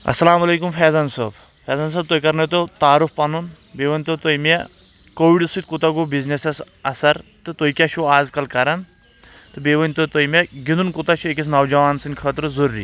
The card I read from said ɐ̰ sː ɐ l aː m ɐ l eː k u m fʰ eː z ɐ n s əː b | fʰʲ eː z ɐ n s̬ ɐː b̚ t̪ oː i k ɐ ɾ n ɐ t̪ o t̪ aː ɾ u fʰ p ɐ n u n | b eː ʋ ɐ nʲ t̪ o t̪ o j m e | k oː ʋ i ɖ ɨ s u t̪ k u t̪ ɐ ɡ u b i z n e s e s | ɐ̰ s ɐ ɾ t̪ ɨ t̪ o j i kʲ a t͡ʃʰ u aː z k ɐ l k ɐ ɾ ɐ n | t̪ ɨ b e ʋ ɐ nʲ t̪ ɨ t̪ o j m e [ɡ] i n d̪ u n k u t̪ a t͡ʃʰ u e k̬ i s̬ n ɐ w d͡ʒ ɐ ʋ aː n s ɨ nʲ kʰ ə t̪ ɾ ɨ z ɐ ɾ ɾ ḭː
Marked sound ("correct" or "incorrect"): correct